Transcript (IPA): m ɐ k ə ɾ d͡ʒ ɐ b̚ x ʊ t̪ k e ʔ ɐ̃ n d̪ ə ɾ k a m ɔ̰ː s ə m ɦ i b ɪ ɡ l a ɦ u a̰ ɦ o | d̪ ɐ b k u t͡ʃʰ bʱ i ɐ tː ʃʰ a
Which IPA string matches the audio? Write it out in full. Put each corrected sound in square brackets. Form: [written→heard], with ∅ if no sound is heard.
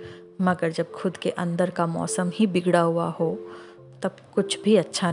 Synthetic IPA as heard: m ɐ [k→ɡ] ə ɾ d͡ʒ ɐ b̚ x ʊ [t̪→d̪] k e ʔ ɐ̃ n d̪ ə ɾ k a m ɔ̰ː s ə m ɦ i b ɪ ɡ [l→ɽ] a ɦ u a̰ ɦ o | [d̪→t̪] ɐ b k [u→ʊ] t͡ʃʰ bʱ i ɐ tː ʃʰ a